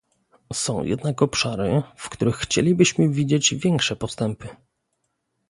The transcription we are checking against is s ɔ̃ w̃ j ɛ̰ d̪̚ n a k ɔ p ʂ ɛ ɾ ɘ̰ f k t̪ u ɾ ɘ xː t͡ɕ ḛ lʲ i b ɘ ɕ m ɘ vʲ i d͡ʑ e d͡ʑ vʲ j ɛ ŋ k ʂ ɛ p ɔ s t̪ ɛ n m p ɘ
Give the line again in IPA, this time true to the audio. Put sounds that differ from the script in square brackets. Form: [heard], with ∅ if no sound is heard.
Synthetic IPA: s ɔ̃ w̃ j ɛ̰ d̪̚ n a k ɔ p ʂ [a] ɾ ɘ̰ f k t̪ u ɾ ɘ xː t͡ɕ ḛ lʲ i b ɘ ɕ m ɘ vʲ i d͡ʑ e d͡ʑ vʲ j ɛ ŋ k ʂ ɛ p ɔ s t̪ ɛ [∅] m p ɘ